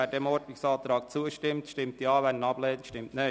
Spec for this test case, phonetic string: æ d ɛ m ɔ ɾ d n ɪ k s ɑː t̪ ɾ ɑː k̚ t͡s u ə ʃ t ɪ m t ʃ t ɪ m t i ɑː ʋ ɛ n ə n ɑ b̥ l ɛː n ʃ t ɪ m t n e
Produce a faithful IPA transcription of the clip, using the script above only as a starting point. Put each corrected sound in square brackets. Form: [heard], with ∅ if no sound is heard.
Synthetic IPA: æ d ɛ m ɔ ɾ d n ɪ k s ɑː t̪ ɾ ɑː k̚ t͡s u ə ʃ t ɪ m t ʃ t ɪ m t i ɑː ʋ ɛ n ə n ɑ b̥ l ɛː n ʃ t ɪ m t n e